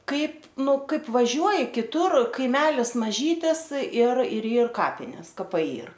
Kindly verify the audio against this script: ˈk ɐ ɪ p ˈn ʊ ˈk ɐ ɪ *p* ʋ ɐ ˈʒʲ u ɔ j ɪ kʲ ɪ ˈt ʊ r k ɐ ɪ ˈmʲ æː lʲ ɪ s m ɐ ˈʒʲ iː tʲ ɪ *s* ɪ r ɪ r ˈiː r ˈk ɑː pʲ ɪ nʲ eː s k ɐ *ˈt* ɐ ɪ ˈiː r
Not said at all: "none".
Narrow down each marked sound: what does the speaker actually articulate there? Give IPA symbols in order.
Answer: p, s, p

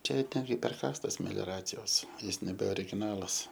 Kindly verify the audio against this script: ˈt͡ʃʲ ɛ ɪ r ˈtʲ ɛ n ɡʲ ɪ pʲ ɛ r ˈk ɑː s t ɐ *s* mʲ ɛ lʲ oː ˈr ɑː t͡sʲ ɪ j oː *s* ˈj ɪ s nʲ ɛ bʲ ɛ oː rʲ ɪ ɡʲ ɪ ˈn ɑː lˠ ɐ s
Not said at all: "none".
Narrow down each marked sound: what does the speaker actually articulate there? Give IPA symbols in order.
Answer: s, s

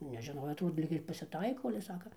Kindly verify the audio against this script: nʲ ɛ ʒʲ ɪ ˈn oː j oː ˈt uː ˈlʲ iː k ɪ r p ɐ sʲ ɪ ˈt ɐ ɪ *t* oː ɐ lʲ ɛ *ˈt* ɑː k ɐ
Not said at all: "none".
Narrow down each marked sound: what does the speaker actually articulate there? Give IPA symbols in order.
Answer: k, s

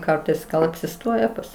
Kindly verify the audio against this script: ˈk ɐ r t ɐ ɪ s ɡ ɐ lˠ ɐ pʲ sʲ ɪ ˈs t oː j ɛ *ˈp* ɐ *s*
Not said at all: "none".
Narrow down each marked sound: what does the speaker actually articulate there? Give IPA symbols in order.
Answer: p, s

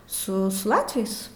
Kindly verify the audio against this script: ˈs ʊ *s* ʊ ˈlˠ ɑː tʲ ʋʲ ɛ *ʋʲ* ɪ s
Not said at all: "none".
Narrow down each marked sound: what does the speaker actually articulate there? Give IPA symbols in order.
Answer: s, none

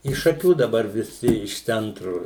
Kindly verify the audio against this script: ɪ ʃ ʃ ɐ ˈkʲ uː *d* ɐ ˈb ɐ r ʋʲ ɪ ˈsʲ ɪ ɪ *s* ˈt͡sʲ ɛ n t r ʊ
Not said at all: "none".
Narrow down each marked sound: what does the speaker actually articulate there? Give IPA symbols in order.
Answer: d, ʃ

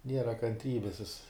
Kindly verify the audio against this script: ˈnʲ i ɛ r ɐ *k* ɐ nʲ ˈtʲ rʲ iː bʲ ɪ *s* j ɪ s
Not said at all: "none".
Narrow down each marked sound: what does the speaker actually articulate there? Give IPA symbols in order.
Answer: k, s

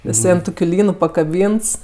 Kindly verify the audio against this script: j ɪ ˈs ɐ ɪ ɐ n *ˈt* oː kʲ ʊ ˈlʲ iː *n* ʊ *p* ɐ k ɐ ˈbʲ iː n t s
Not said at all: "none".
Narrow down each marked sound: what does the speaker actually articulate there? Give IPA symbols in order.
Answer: t, n, p

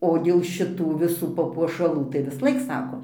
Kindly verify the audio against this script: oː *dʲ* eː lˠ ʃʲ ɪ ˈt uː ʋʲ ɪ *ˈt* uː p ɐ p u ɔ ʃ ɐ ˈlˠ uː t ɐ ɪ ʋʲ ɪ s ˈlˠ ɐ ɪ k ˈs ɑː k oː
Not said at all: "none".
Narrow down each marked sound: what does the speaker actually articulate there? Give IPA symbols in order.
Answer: dʲ, s

